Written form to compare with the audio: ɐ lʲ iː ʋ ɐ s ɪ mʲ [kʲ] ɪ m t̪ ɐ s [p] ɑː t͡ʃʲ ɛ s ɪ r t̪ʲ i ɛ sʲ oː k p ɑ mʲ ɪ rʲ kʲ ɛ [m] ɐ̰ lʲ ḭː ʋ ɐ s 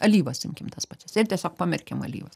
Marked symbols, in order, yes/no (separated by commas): yes, yes, yes